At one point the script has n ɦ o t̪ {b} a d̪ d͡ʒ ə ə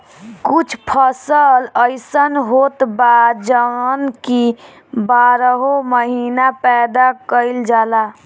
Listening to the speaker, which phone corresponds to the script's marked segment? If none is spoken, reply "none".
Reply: b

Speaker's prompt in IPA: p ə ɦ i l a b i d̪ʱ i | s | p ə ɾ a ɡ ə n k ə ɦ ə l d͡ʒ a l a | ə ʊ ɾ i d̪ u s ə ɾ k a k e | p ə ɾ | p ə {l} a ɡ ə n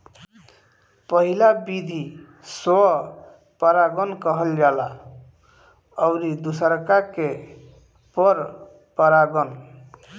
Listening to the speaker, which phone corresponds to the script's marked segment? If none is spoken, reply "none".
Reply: ɾ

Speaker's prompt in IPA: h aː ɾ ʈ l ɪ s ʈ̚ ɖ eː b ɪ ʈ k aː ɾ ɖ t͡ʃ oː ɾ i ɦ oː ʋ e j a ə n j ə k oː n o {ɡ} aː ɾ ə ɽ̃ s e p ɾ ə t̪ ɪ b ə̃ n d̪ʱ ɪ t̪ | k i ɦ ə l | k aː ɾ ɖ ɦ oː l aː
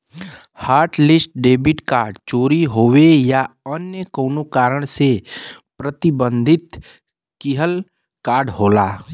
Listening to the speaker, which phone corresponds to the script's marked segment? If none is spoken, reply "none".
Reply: k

